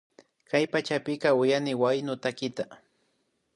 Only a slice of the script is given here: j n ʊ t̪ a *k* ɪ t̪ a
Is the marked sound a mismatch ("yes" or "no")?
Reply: no